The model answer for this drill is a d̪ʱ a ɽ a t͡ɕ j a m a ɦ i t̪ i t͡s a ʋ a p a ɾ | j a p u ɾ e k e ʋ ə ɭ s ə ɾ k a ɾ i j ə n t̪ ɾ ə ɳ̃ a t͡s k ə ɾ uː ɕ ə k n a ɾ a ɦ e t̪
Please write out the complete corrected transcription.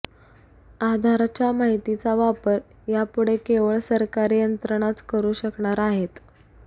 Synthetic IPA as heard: a d̪ʱ a ɾ a t͡ɕ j a m a ɦ i t̪ i t͡s a ʋ a p ə ɾ | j a p u ɽ e k e ʋ ə ɭ s ə ɾ k a ɾ i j ə n t̪ ɾ ə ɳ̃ a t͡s k ə ɾ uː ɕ ə k ɳ a ɾ a ɦ e t̪